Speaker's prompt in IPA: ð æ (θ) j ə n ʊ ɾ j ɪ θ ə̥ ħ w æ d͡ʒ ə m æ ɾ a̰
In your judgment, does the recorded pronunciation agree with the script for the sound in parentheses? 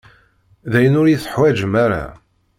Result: no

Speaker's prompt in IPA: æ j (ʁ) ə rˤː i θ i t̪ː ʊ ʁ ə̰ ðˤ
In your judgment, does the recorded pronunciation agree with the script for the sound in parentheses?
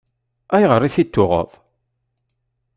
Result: yes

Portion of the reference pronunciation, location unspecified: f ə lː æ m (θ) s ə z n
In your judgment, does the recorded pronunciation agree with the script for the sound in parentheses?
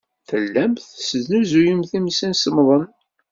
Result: yes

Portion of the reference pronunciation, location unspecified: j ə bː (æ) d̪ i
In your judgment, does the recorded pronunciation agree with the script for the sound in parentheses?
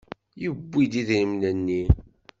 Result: no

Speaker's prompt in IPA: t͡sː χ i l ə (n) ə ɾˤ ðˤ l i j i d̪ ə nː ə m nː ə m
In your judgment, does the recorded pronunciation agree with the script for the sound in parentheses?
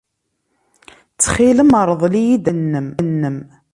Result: no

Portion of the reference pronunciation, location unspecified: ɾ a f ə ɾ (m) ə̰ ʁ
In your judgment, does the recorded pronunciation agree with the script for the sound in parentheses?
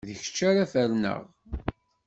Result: no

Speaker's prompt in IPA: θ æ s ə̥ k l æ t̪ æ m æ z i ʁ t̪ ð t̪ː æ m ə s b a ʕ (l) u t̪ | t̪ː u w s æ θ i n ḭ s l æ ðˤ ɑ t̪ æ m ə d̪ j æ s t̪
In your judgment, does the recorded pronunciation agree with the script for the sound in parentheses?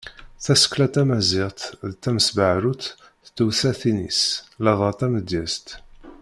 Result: no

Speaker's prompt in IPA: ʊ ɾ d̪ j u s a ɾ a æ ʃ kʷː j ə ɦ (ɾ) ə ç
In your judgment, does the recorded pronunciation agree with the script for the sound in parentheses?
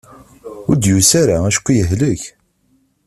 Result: no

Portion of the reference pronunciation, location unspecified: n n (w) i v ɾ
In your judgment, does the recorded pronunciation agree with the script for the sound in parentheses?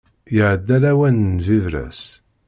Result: no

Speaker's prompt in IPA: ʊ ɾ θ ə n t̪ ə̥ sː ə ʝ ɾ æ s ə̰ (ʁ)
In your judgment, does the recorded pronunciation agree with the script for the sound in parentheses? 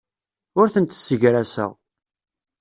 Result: yes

